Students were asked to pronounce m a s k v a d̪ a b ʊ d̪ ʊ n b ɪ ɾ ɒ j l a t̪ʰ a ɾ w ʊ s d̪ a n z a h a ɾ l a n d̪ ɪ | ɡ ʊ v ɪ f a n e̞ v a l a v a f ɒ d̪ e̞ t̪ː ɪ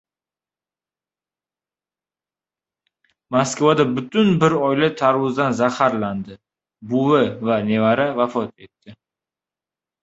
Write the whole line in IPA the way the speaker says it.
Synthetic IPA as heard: m a s k v a d̪ a b ʊ t̪ ʊ n b ɪ ɾ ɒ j l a t̪ʰ a ɾ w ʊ z d̪ a n z a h a ɾ l a n d̪ ɪ | b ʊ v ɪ v a n e̞ v a ɾ a v a f ɒ t̪ e̞ t̪ː ɪ